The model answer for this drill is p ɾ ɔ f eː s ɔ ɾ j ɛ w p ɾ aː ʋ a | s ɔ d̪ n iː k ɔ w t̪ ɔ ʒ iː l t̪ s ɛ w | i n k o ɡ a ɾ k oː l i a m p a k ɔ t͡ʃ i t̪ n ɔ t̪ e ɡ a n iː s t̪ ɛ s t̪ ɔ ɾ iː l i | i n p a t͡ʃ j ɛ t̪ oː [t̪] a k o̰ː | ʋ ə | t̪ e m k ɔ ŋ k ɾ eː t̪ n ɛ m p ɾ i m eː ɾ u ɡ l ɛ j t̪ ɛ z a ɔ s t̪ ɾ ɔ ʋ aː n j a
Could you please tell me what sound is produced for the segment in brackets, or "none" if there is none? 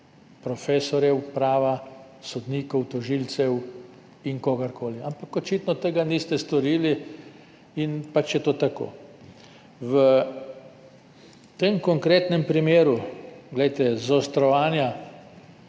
t̪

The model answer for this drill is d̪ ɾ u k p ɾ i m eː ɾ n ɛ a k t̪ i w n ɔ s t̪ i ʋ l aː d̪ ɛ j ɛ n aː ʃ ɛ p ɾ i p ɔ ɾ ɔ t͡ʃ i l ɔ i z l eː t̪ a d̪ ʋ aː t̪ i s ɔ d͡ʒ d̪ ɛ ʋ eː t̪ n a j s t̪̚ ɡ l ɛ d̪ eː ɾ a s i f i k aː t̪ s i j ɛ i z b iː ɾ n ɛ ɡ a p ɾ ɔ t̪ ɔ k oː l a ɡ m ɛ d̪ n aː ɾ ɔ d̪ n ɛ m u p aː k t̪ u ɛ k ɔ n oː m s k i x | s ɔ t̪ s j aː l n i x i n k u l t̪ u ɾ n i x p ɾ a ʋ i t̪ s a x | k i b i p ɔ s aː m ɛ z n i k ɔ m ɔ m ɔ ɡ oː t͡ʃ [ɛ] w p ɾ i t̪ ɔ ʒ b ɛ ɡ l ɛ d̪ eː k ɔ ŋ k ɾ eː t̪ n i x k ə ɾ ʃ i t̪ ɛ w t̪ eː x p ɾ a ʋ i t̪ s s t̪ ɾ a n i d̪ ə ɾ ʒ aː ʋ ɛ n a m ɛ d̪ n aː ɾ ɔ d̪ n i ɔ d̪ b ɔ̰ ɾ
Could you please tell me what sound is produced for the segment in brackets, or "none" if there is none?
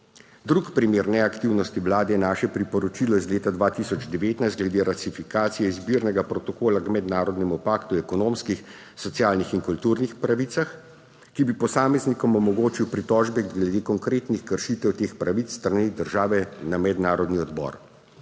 i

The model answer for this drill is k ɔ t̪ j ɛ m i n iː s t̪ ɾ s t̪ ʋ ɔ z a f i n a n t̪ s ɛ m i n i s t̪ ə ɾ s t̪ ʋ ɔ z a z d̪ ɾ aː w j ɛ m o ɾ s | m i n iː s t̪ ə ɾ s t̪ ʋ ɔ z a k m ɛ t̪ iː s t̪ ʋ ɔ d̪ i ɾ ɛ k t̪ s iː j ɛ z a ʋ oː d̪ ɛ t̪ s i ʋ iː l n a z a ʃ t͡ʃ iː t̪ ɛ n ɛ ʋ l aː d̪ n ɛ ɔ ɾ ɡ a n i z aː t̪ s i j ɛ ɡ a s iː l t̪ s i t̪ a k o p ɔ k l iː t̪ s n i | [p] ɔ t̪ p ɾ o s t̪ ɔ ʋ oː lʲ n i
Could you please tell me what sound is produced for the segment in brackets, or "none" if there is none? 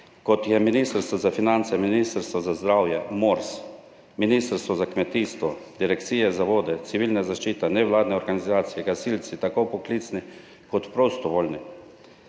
k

